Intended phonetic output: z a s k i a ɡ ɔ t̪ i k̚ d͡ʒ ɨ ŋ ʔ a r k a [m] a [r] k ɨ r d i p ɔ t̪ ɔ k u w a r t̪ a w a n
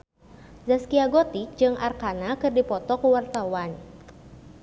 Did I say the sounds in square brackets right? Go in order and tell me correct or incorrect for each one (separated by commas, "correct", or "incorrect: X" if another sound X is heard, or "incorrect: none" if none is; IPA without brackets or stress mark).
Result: incorrect: n, incorrect: none